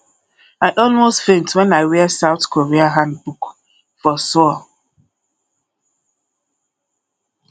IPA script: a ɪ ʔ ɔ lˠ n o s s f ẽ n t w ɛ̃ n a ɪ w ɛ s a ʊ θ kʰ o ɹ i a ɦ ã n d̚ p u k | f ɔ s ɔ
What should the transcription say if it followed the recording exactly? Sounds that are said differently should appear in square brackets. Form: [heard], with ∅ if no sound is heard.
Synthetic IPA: a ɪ ʔ ɔ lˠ [m] o s [t] f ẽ n t w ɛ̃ n a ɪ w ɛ s a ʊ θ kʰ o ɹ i a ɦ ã n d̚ [b] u k | f ɔ s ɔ